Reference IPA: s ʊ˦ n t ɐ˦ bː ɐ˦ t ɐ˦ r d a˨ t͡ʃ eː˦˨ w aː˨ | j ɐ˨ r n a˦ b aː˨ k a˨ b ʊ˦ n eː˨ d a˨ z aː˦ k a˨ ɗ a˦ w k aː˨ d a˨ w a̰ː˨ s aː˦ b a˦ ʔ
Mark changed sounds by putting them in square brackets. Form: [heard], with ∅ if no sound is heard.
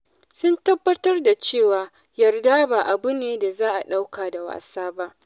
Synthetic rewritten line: s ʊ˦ n t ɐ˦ bː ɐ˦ t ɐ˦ r d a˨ t͡ʃ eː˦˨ w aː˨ | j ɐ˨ r [d] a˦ b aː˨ [ʔ] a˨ b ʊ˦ n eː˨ d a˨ z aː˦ [ʔ] a˨ ɗ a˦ w k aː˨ d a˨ w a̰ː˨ s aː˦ b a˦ ʔ